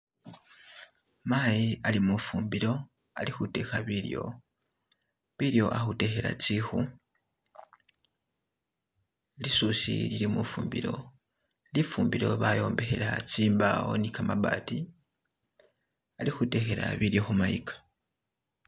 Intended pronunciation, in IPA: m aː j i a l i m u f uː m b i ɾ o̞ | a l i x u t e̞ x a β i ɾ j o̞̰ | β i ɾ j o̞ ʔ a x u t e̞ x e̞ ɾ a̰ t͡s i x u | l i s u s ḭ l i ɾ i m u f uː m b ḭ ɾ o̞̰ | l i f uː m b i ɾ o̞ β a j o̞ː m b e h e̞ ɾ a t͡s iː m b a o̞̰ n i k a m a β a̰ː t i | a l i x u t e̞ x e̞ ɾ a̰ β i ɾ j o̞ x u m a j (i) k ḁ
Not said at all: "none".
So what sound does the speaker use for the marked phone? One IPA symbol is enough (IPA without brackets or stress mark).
i